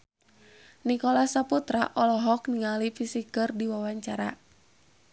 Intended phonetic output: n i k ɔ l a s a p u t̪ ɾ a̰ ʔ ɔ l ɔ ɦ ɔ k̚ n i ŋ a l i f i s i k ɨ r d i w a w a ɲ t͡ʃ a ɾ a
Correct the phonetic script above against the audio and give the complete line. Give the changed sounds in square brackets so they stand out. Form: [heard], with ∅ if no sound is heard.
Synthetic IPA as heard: n i k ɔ l a s a p u t̪ ɾ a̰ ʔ ɔ l ɔ ɦ ɔ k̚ n i ŋ a l i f i s i k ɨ r d i w a w a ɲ t͡ʃ a ɾ a